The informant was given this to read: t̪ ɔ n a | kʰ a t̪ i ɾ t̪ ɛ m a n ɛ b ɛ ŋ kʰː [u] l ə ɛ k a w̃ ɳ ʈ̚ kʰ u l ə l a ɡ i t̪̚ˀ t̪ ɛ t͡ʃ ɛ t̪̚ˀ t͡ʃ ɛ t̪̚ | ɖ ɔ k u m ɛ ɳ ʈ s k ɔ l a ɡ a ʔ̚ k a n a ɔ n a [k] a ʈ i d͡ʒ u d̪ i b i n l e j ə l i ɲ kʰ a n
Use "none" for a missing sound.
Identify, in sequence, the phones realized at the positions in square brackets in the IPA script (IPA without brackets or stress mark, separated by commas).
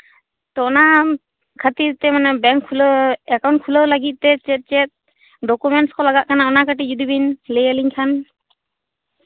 u, k